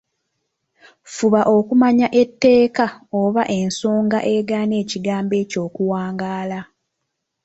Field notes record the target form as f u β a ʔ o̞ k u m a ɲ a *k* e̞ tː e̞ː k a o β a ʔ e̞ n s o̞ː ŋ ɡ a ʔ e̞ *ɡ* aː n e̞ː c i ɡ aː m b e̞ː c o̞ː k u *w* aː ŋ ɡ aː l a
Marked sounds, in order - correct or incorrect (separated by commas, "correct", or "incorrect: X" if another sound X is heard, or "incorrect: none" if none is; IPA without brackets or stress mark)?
incorrect: ʔ, correct, correct